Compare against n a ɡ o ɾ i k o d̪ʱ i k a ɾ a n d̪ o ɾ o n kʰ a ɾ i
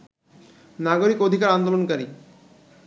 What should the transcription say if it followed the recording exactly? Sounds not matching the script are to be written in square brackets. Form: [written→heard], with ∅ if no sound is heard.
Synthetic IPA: n a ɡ o ɾ i k o d̪ʱ i k a ɾ a n d̪ o [ɾ→l] o n [kʰ→k] a ɾ i